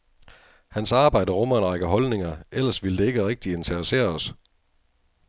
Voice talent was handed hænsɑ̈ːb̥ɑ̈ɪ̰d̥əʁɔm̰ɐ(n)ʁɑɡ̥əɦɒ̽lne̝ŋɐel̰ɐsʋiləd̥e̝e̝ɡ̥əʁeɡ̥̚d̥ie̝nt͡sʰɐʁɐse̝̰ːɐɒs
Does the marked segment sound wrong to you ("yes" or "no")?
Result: no